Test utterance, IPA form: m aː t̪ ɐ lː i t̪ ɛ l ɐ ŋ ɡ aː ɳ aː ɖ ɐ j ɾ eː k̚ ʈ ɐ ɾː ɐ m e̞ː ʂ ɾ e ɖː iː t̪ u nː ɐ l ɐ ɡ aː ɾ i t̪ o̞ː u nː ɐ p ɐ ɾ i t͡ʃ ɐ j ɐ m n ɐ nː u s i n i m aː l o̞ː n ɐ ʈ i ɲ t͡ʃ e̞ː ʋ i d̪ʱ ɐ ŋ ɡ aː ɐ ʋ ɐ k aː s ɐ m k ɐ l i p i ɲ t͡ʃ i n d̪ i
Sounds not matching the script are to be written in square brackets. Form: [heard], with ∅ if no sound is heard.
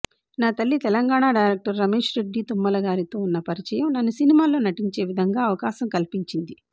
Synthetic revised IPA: [n] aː t̪ ɐ lː i t̪ ɛ l ɐ ŋ ɡ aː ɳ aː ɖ ɐ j ɾ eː k̚ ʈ ɐ ɾː ɐ m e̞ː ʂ ɾ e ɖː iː t̪ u [mː] ɐ l ɐ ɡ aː ɾ i t̪ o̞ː u nː ɐ p ɐ ɾ i t͡ʃ ɐ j ɐ m n ɐ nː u s i n i m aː l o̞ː n ɐ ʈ i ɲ t͡ʃ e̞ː ʋ i d̪ʱ ɐ ŋ ɡ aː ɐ ʋ ɐ k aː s ɐ m k ɐ l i p i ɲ t͡ʃ i n d̪ i